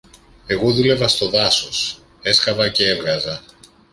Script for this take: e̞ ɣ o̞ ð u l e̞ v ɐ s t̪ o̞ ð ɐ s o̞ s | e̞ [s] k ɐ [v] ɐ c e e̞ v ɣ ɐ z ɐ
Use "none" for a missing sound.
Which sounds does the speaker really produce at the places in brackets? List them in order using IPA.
s, v

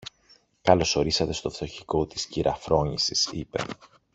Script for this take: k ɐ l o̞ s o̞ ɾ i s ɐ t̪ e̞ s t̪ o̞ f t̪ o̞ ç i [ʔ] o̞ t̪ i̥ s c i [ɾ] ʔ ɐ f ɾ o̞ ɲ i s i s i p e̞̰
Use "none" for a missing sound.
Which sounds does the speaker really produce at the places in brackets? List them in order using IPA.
k, ɾ

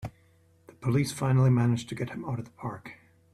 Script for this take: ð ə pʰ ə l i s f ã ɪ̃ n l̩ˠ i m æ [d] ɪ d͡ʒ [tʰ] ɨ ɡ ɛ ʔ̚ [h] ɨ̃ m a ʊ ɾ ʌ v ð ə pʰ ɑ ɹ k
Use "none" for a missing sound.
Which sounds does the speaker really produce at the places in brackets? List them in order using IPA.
n, tʰ, h

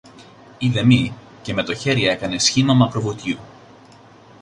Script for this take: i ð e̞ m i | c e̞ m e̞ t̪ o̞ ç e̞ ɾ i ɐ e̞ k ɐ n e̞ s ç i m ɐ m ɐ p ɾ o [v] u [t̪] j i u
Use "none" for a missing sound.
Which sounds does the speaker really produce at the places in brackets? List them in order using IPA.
v, t̪

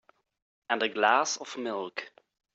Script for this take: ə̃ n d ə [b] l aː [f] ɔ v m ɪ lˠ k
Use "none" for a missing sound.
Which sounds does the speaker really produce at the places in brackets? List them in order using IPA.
ɡ, s

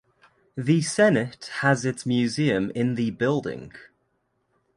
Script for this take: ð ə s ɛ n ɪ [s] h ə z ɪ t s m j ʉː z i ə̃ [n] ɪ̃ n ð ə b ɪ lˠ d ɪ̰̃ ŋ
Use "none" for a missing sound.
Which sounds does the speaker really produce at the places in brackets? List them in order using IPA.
t, m

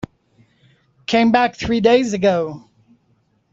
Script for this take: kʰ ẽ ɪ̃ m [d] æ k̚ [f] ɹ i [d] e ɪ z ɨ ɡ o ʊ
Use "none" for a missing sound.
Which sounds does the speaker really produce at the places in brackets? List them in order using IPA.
b, θ, d

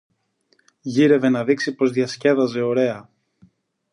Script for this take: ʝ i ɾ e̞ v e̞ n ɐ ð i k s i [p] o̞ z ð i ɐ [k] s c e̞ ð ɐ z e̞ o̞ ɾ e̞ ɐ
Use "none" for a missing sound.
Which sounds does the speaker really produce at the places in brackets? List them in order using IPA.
p, none

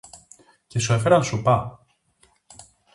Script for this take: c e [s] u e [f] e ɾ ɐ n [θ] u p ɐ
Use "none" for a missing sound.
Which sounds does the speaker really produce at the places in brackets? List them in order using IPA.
s, f, s

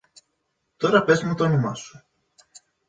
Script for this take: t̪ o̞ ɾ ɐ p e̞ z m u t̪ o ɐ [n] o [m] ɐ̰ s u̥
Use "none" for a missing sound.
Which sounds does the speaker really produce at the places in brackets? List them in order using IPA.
n, m

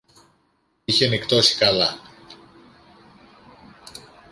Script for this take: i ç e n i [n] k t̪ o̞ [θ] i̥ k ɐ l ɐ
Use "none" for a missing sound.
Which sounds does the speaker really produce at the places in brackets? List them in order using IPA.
none, s

